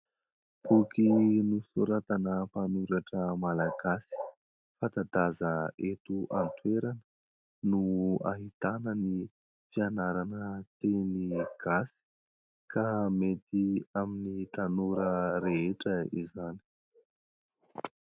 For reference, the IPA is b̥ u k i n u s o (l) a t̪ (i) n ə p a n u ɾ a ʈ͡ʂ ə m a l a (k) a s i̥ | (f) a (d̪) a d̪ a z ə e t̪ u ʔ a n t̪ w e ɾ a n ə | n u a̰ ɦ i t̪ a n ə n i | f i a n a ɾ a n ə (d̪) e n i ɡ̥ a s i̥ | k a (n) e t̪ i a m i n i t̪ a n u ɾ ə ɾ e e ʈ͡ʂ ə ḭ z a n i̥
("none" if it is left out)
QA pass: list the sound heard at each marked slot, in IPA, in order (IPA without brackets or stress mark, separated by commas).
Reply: ɾ, a, ɡ, f, t̪, t̪, m